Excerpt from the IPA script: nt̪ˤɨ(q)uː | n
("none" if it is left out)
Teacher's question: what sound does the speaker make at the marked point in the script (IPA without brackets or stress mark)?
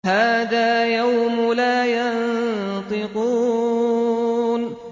q